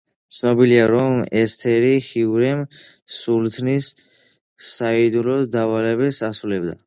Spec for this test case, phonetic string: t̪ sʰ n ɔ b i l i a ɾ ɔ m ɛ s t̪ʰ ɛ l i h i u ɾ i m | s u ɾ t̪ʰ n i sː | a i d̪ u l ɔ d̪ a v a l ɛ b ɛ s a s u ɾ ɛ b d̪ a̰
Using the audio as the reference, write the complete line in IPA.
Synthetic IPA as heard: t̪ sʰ n ɔ b i l i a ɾ ɔ m ɛ s t̪ʰ ɛ ɾ i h i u ɾ ɛ m | s u l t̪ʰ n i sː | a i d̪ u l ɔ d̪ a v a l ɛ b ɛ s a s u l ɛ b d̪ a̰